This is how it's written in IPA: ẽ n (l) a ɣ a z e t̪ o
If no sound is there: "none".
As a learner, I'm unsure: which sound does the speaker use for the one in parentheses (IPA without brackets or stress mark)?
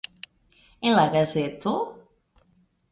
l